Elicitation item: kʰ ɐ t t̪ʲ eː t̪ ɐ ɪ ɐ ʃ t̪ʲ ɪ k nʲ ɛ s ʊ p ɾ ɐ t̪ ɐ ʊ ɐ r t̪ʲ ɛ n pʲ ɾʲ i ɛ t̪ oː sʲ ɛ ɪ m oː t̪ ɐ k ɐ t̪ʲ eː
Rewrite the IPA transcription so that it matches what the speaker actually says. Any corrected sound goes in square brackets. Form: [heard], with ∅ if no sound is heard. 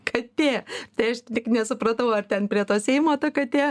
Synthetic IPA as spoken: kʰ ɐ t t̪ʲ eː t̪ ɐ ɪ ɐ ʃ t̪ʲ ɪ k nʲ ɛ s ʊ p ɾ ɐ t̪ ɐ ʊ ɐ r t̪ʲ ɛ n pʲ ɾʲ i ɛ t̪ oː sʲ ɛ ɪ m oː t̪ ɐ k ɐ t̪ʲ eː

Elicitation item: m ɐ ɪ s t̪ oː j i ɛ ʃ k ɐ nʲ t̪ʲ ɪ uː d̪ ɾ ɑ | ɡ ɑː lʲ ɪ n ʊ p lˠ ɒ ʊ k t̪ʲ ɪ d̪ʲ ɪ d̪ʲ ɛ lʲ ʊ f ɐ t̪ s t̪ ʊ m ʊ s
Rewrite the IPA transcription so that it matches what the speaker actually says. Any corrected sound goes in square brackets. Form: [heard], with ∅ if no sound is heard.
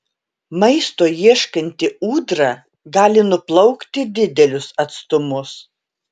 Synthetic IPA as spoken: m ɐ ɪ s t̪ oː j i ɛ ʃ k ɐ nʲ t̪ʲ ɪ uː d̪ ɾ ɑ | ɡ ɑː lʲ ɪ n ʊ p lˠ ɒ ʊ k t̪ʲ ɪ d̪ʲ ɪ d̪ʲ ɛ lʲ ʊ [s] ɐ t̪ s t̪ ʊ m ʊ s

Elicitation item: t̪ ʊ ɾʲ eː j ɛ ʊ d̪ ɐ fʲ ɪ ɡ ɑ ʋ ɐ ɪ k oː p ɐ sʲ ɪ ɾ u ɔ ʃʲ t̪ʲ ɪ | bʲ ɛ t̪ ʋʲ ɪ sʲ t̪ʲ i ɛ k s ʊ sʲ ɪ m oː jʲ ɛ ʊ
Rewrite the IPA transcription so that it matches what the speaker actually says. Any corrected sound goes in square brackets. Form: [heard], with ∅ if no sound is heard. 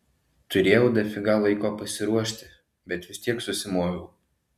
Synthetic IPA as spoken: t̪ ʊ ɾʲ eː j ɛ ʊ d̪ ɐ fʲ ɪ ɡ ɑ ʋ ɐ ɪ k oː p ɐ sʲ ɪ ɾ u ɔ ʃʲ t̪ʲ ɪ | bʲ ɛ t̪ ʋʲ ɪ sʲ t̪ʲ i ɛ k s ʊ sʲ ɪ m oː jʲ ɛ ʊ

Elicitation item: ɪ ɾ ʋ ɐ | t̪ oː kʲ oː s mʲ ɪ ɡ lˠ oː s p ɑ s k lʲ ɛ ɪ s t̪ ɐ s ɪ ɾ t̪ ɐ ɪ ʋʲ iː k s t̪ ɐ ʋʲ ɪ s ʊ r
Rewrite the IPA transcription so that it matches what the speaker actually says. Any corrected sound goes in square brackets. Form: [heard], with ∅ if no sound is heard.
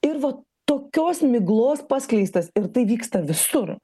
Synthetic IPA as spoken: ɪ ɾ ʋ ɐ | t̪ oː kʲ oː s mʲ ɪ ɡ lˠ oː s p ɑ s k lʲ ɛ ɪ s t̪ ɐ s ɪ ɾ t̪ ɐ ɪ ʋʲ iː k s t̪ ɐ ʋʲ ɪ s ʊ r

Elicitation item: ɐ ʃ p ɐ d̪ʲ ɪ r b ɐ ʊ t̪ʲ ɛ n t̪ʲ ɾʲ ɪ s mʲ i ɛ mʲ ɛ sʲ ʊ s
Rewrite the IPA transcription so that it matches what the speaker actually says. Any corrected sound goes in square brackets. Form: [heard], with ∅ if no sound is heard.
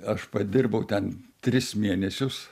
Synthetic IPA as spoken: ɐ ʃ p ɐ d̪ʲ ɪ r b ɐ ʊ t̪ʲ ɛ n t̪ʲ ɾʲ ɪ s mʲ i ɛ [nʲ] ɛ sʲ ʊ s

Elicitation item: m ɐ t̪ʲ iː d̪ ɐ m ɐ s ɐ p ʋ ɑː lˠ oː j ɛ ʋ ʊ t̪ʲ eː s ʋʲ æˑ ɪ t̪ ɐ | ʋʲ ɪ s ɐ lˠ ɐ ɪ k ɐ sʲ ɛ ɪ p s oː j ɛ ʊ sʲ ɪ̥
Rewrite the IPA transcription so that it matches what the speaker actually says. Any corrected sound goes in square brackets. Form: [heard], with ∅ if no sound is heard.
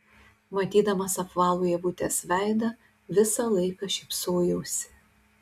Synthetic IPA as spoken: m ɐ t̪ʲ iː d̪ ɐ m ɐ s ɐ p ʋ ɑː lˠ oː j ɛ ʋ ʊ t̪ʲ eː s ʋʲ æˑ ɪ [d̪] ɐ | ʋʲ ɪ s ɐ lˠ ɐ ɪ k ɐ [ʃʲ] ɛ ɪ p s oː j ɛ ʊ sʲ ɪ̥

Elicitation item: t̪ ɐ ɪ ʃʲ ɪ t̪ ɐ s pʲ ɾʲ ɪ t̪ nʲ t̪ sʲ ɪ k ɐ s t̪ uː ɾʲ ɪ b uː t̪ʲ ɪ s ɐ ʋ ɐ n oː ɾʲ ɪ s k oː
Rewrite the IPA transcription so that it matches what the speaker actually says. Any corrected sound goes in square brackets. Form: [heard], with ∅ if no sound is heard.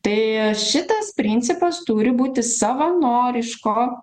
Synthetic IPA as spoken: t̪ ɐ ɪ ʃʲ ɪ t̪ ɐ s pʲ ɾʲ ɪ [∅] nʲ t̪ sʲ ɪ [p] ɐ s t̪ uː ɾʲ ɪ b uː t̪ʲ ɪ s ɐ ʋ ɐ n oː ɾʲ ɪ [ʃ] k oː

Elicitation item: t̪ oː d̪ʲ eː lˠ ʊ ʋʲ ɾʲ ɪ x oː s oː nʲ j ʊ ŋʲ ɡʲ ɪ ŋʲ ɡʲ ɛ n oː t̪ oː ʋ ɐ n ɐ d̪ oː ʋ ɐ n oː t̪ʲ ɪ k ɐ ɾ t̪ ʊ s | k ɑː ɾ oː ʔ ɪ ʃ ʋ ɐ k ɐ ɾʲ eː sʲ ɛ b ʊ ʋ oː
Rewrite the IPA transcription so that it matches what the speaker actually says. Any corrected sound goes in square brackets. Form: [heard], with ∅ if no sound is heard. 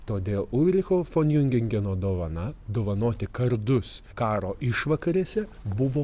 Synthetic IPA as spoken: t̪ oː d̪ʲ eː lˠ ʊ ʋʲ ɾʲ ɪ x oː [f] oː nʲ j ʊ ŋʲ ɡʲ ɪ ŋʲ ɡʲ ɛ n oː [d̪] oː ʋ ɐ n ɐ d̪ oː ʋ ɐ n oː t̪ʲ ɪ k ɐ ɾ [d̪] ʊ s | k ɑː ɾ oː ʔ ɪ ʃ ʋ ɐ k ɐ ɾʲ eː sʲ ɛ b ʊ ʋ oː

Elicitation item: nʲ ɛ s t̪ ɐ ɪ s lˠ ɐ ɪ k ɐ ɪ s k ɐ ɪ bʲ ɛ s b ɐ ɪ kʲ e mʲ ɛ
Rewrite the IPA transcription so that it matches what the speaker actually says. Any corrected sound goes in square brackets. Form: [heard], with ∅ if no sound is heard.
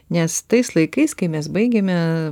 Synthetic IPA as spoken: nʲ ɛ s t̪ ɐ ɪ s lˠ ɐ ɪ k ɐ ɪ s k ɐ ɪ [mʲ] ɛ s b ɐ ɪ [ɡʲ] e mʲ ɛ

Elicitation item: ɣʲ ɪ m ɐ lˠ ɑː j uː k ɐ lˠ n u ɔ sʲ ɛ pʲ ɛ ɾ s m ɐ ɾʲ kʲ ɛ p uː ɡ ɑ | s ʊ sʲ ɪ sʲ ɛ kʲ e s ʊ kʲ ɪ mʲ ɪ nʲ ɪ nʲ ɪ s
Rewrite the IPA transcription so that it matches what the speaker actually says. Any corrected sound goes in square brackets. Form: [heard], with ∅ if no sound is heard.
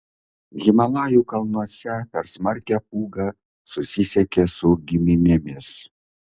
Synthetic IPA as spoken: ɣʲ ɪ m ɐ lˠ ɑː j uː k ɐ lˠ n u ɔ sʲ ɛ pʲ ɛ ɾ s m ɐ ɾʲ kʲ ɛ p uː ɡ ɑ | s ʊ sʲ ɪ sʲ ɛ kʲ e s ʊ [ɡʲ] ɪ mʲ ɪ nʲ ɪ [mʲ] ɪ s

